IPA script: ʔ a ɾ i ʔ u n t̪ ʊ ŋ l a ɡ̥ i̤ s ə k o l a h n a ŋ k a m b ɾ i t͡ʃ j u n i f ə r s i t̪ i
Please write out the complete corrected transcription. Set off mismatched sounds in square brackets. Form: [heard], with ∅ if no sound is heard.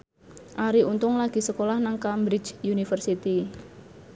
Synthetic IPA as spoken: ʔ a ɾ i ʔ u n t̪ ʊ ŋ l a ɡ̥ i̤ s ə k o l a h n a ŋ k a m b ɾ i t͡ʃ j u n i f ə r s i t̪ i